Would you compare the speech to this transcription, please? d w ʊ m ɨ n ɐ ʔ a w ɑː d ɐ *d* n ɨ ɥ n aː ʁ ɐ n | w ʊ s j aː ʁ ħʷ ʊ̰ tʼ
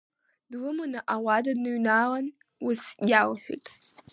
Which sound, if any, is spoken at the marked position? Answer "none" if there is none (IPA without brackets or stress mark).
d